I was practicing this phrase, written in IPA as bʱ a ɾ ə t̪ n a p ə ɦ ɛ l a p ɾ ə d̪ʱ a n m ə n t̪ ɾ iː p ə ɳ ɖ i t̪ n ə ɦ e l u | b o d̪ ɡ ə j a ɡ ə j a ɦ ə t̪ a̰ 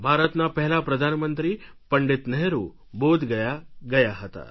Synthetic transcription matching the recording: bʱ a ɾ ə t̪ n a p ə ɦ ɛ l a p ɾ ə d̪ʱ a n m ə n t̪ ɾ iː p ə ɳ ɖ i t̪ n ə ɦ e ɾ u | b o d̪ ɡ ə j a ɡ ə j a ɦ ə t̪ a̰